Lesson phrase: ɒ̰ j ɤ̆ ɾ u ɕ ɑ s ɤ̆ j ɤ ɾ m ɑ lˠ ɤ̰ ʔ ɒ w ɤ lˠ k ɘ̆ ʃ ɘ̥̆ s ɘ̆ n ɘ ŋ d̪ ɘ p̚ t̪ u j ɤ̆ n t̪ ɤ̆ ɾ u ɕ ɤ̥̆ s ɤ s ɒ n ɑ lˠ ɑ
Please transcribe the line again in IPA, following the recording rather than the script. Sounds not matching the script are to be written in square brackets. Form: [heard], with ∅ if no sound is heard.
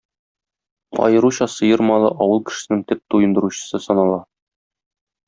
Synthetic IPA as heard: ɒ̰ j ɤ̆ ɾ u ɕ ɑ s ɤ̆ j ɤ ɾ m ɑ lˠ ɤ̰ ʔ ɒ w ɤ lˠ k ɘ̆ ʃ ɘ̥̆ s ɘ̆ n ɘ ŋ [t̪] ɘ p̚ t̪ u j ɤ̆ n [d̪] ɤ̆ ɾ u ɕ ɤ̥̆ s ɤ s ɒ n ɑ lˠ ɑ